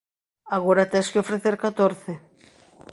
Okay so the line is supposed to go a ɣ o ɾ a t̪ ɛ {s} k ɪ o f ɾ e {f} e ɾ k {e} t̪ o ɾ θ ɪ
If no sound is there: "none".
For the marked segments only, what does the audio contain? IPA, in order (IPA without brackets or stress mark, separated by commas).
s, θ, a